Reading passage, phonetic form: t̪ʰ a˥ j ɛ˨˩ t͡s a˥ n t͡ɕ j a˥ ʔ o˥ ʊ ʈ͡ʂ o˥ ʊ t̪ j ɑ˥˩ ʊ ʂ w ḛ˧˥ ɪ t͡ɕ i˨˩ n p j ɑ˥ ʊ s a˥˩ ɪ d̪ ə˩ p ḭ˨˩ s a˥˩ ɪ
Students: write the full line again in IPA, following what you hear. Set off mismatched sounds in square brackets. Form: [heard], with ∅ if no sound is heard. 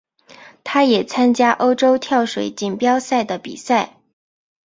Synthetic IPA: t̪ʰ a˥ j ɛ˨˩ [t͡sʰ] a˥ n t͡ɕ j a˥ ʔ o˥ ʊ ʈ͡ʂ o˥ ʊ [t̪ʰ] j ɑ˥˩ ʊ ʂ w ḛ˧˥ ɪ t͡ɕ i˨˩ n p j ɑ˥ ʊ s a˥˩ ɪ d̪ ə˩ p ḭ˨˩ s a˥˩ ɪ